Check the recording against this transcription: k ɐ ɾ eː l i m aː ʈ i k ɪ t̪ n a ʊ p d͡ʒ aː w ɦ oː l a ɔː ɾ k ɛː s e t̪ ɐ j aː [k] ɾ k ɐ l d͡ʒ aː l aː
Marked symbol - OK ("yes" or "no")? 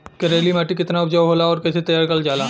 no